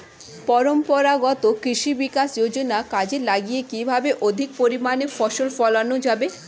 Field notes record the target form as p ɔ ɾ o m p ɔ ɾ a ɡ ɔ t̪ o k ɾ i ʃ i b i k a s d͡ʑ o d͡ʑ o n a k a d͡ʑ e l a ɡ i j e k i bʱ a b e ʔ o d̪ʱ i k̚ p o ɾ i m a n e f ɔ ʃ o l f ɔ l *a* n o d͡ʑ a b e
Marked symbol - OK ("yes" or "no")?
yes